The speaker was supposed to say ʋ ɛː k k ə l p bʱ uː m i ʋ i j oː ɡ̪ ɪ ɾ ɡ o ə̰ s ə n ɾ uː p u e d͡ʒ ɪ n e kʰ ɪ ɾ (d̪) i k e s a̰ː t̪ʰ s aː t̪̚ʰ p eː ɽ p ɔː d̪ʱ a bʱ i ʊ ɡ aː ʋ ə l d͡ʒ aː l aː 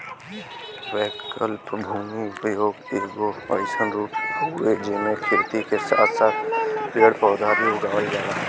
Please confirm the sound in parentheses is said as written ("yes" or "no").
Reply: no